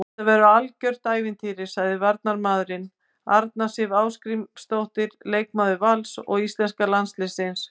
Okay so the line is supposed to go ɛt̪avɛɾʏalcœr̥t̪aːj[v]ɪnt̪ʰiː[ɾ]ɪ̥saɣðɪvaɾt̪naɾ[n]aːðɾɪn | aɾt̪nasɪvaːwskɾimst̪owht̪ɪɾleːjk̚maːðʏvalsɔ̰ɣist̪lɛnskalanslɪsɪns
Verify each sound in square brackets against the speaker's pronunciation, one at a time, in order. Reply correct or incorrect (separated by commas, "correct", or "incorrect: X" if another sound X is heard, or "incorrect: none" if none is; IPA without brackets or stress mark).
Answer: correct, correct, incorrect: m